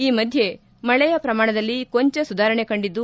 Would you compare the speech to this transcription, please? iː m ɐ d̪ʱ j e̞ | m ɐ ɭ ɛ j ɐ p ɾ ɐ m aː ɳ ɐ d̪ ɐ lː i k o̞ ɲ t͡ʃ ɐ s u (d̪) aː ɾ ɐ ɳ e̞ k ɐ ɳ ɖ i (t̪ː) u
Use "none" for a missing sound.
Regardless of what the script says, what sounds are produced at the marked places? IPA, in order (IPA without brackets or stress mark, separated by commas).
d̪, d̪ː